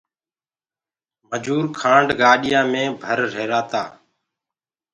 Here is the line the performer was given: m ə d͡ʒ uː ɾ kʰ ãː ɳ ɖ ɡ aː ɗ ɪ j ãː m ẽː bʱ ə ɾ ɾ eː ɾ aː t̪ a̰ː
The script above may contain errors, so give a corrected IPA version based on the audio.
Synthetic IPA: m ə d͡ʒ uː ɾ kʰ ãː ɳ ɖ ɡ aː ɗ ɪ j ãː m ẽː bʱ ə ɾ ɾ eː ɾ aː t̪ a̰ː